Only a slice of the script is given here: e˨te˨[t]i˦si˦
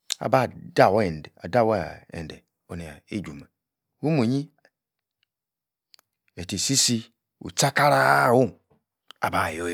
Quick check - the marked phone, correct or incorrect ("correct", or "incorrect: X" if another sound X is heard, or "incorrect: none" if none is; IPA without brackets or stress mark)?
incorrect: s